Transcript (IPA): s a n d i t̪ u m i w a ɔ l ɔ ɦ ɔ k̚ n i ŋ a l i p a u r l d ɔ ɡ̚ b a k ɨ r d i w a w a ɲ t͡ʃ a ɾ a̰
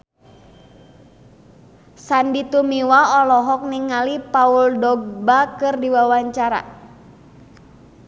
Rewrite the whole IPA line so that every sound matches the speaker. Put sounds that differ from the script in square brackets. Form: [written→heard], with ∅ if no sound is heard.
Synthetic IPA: s a n d i t̪ u m i w a ɔ l ɔ ɦ ɔ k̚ n i ŋ a l i p a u [r→∅] l d ɔ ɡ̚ b a k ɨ r d i w a w a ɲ t͡ʃ a ɾ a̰